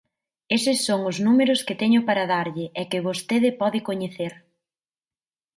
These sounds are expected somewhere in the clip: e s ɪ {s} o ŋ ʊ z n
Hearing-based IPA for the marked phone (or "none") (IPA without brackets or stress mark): sː